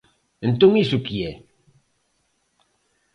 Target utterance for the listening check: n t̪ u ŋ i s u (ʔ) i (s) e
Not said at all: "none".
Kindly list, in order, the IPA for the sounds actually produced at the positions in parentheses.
k, none

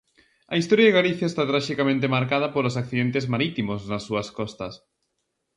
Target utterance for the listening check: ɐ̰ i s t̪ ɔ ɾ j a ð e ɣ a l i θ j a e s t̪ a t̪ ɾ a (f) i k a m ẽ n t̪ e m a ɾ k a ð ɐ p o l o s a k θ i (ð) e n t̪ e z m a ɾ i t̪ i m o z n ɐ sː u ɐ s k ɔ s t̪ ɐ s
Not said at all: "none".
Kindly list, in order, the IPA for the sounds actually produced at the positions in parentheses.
ʃ, ð

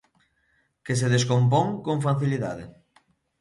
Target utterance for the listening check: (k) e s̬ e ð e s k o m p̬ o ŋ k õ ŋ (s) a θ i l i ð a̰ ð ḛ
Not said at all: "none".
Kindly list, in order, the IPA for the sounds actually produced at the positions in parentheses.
k, f

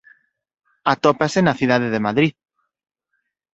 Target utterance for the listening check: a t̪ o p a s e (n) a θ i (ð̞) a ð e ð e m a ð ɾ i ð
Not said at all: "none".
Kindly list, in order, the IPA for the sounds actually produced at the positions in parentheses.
n, ð̞

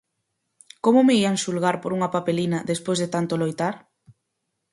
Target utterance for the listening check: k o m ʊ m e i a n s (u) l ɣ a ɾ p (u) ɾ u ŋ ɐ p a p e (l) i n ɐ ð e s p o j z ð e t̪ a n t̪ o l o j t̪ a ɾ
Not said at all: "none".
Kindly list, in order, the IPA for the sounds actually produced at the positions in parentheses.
u, o, l

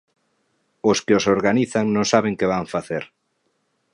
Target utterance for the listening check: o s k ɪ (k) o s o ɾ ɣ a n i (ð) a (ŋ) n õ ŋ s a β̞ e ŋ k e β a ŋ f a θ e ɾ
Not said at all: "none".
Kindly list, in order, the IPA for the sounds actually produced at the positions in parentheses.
none, θ, ŋ

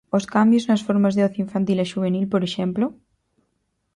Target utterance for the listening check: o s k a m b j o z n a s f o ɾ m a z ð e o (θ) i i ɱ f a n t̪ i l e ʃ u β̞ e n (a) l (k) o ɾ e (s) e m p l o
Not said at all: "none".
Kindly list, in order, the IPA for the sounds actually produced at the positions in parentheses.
θ, i, p, ʃ

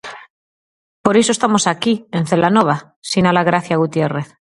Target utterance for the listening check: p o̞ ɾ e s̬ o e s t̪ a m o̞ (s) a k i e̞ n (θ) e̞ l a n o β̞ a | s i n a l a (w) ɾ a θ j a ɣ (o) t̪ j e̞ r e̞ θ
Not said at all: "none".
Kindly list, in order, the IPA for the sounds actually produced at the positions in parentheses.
s, θ, ɣ, u

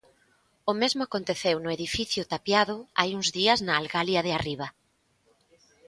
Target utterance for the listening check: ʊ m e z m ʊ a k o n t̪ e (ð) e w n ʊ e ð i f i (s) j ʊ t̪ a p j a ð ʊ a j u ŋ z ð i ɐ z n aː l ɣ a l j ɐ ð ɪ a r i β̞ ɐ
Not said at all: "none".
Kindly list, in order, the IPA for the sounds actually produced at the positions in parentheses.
θ, θ

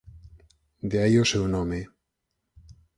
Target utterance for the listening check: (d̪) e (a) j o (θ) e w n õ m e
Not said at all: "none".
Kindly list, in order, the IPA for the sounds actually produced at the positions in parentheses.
d̪, a, s

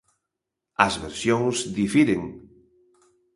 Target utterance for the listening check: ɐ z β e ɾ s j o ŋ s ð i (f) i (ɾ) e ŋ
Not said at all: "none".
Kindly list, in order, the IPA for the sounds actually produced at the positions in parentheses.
f, ɾ

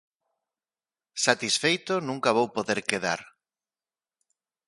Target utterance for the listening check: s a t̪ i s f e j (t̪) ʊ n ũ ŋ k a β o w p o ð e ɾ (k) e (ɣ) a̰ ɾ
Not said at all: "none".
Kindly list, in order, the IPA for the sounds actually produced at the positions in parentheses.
t̪, k, ð

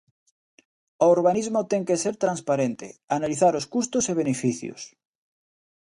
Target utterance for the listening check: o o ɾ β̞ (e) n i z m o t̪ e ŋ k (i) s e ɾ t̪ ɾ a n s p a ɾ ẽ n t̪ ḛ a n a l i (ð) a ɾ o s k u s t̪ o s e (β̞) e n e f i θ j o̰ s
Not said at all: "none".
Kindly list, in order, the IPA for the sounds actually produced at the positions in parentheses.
a, e, θ, β̞

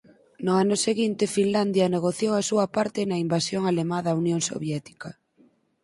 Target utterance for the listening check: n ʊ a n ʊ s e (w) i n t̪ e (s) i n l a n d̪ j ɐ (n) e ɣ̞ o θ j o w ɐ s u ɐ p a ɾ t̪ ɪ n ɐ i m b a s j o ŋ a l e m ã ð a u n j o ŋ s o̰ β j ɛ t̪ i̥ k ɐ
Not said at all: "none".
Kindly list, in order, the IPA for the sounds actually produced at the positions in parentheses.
ɣ, f, n

